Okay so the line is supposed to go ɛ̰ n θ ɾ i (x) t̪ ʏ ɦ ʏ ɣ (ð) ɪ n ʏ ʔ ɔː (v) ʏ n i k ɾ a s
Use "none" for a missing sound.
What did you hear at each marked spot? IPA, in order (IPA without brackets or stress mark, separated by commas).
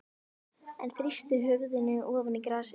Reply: s, ð, v